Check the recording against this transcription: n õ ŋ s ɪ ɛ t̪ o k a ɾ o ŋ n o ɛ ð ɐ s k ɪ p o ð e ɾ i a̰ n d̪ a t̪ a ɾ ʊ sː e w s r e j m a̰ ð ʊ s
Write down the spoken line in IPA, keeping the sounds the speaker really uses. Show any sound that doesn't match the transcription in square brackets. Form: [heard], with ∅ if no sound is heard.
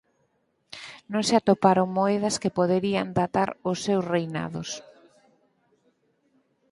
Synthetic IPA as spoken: n õ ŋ s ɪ [a] t̪ o [p] a ɾ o ŋ [m] o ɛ ð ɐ s k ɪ p o ð e ɾ i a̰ n d̪ a t̪ a ɾ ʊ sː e w s r e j [n] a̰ ð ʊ s